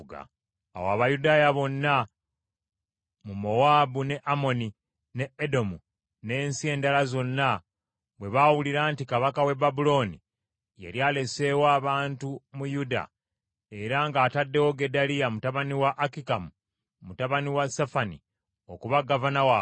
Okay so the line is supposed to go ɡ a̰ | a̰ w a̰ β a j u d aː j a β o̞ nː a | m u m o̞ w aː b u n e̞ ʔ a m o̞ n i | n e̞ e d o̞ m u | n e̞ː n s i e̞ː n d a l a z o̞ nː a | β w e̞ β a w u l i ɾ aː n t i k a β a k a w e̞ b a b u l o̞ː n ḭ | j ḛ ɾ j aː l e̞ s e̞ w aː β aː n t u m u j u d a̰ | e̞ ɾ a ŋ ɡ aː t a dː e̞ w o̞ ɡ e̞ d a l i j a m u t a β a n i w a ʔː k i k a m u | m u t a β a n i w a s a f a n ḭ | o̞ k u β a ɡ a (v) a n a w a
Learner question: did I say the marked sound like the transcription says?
yes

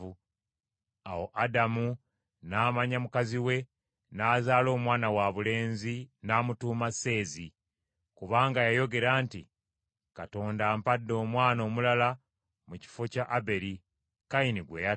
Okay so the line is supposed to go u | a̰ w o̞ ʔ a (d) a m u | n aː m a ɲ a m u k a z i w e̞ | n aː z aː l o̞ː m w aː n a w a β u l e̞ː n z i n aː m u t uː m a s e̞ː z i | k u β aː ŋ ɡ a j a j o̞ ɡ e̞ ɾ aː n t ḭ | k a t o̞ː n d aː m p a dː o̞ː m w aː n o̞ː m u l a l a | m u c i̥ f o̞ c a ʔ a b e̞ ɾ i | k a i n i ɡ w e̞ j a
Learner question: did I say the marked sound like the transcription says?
yes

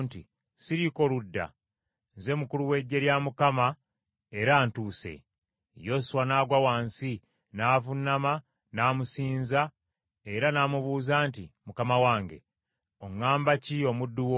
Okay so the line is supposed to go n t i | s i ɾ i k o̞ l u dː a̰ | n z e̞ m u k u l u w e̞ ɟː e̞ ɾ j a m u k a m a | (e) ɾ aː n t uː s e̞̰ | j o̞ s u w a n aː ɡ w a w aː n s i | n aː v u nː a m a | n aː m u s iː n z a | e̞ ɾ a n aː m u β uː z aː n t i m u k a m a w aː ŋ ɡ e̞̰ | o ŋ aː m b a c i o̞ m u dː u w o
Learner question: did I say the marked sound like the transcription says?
yes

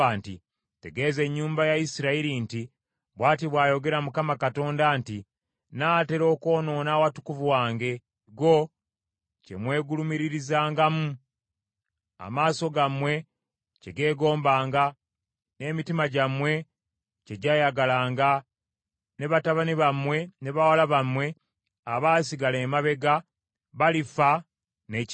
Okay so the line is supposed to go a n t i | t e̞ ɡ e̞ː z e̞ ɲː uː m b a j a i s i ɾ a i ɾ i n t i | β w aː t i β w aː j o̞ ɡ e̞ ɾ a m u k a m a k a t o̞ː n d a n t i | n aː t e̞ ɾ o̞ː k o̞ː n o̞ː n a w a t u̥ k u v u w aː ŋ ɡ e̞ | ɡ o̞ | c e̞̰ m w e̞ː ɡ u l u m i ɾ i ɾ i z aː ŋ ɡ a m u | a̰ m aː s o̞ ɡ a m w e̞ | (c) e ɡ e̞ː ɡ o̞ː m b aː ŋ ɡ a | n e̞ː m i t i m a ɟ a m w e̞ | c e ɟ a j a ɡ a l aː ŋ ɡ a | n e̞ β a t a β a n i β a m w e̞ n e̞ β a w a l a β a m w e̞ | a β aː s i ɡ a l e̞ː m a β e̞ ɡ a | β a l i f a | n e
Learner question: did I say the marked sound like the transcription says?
yes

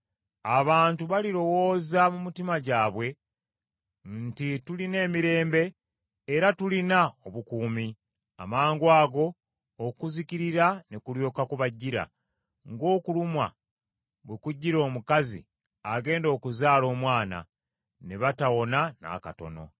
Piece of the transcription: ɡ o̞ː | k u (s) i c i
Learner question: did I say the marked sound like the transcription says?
no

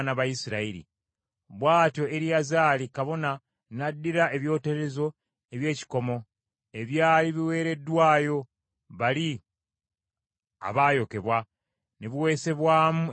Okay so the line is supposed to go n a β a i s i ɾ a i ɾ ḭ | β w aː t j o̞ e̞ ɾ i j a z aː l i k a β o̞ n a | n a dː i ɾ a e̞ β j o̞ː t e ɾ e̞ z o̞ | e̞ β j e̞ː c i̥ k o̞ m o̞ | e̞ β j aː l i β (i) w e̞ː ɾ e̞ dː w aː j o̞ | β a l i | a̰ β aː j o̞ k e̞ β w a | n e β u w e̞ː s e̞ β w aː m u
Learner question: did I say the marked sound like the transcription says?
yes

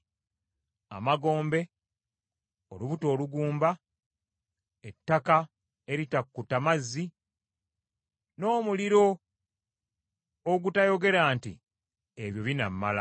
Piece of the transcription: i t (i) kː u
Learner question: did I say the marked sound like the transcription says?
no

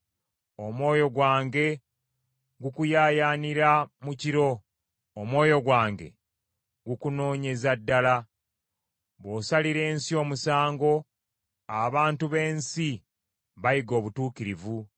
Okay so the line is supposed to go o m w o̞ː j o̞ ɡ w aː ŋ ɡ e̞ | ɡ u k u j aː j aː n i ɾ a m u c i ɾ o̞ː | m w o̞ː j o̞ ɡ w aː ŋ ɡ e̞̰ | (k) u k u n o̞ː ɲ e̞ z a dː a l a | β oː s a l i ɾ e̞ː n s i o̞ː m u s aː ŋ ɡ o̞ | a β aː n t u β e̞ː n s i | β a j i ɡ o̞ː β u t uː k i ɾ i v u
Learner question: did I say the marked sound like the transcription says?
no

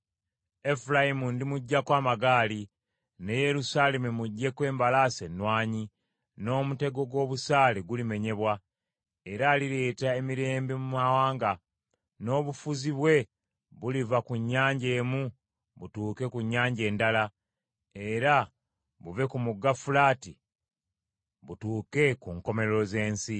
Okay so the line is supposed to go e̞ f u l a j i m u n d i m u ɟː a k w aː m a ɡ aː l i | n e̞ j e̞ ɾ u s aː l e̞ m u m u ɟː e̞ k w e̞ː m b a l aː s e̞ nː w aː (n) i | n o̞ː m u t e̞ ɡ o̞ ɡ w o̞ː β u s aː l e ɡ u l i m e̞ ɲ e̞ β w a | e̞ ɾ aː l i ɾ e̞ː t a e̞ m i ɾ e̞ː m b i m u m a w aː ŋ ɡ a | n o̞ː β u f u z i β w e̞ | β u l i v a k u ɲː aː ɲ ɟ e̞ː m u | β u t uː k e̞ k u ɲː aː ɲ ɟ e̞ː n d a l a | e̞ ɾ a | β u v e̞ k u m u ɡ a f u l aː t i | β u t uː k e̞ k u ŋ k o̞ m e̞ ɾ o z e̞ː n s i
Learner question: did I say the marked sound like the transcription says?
no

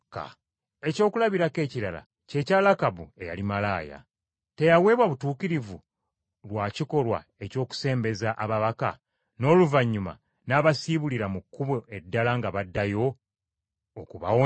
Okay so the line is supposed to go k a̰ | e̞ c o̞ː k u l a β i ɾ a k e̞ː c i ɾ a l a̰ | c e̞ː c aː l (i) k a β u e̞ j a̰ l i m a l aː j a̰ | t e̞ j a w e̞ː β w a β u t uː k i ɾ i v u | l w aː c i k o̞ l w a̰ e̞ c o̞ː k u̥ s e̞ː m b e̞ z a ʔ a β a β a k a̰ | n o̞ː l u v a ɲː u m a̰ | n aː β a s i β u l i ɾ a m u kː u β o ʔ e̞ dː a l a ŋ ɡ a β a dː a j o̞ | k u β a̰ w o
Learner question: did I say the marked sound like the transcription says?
no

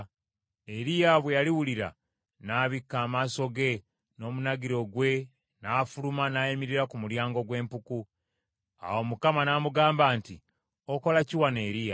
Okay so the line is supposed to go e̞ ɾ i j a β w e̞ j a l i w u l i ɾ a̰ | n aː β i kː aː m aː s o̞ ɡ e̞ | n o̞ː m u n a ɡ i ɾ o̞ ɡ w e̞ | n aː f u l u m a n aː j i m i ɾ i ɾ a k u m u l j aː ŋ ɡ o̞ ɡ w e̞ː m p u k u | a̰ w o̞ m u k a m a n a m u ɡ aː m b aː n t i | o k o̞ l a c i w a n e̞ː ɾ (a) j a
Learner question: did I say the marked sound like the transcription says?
no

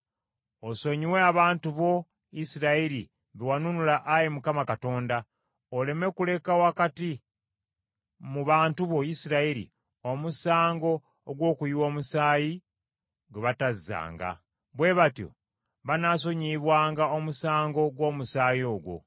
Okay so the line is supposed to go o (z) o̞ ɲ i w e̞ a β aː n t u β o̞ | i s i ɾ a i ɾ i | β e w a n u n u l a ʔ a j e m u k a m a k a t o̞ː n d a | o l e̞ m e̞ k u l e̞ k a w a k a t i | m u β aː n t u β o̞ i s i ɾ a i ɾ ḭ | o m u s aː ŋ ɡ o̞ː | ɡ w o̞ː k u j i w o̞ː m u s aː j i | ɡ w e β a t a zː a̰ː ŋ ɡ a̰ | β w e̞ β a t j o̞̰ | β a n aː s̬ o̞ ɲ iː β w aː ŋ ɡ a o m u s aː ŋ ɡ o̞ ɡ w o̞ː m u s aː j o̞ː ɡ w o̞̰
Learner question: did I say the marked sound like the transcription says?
no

